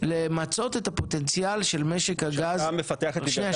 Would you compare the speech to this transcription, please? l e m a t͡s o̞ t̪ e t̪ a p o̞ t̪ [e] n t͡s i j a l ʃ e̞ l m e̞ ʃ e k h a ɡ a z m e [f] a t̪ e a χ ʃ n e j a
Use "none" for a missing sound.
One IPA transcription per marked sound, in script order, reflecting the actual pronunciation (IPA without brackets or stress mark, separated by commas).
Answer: e, f